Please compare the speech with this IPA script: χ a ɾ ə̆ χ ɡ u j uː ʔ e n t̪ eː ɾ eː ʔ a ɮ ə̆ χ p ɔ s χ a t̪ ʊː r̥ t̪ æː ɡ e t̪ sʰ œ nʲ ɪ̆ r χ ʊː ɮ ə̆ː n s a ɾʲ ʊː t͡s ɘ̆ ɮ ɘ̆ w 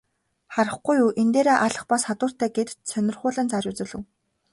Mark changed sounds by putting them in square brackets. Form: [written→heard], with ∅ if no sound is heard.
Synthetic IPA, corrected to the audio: χ a ɾ ə̆ χ ɡ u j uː ʔ e n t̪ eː ɾ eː ʔ a ɮ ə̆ χ p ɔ s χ a t̪ ʊː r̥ t̪ æː ɡ e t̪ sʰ œ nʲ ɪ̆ r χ ʊː ɮ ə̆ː n [s→t͡s] a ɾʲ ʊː t͡s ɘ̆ ɮ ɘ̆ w